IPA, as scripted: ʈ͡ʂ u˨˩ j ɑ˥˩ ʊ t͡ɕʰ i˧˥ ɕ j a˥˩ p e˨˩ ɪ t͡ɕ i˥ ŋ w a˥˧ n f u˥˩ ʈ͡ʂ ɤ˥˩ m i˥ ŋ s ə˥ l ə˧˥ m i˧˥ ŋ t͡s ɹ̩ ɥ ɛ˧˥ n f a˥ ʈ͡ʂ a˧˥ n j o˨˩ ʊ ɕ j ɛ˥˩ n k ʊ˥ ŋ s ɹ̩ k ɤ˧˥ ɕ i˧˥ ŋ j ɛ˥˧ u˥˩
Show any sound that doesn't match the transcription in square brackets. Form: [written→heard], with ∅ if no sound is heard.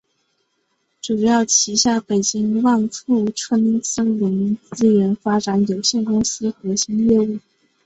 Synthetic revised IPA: ʈ͡ʂ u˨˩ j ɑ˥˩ ʊ t͡ɕʰ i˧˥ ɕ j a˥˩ p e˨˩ ɪ t͡ɕ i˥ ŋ w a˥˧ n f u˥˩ [ʈ͡ʂ→ʈ͡ʂʰ] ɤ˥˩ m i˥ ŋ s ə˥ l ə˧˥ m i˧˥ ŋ t͡s ɹ̩ ɥ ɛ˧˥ n f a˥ ʈ͡ʂ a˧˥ n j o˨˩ ʊ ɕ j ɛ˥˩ n k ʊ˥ ŋ s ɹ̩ [k→x] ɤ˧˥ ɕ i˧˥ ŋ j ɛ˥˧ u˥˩